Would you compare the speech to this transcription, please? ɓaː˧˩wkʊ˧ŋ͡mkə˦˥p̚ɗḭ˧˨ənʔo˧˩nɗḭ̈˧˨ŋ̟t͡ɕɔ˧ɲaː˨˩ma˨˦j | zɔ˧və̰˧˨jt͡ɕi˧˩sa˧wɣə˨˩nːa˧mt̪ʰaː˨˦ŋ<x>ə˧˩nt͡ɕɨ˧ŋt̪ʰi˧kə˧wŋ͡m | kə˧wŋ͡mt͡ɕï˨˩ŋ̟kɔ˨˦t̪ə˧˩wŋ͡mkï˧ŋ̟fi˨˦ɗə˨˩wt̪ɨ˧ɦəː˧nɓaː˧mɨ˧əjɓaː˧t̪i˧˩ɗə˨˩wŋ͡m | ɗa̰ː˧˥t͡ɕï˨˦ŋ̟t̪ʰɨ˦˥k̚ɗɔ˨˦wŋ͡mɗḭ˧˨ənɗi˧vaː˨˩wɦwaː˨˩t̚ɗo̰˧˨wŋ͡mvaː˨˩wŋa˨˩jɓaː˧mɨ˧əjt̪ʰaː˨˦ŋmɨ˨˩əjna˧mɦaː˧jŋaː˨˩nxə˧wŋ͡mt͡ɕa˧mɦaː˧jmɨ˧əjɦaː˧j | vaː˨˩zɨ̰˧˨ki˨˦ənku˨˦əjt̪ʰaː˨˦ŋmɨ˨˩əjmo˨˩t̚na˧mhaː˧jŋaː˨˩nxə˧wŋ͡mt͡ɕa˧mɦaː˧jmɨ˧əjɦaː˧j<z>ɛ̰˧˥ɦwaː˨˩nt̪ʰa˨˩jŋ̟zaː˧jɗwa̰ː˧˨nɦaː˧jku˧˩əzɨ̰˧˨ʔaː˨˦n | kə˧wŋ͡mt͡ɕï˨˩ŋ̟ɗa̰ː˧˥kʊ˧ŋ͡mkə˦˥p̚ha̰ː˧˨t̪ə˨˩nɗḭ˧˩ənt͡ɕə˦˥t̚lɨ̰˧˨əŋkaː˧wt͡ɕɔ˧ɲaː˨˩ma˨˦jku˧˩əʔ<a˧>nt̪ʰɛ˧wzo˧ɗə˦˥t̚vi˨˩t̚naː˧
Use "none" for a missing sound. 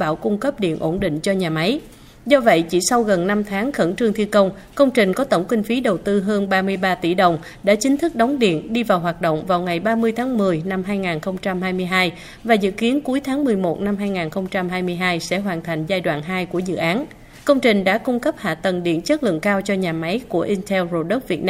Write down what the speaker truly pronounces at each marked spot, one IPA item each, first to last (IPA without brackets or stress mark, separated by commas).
x, s, i˧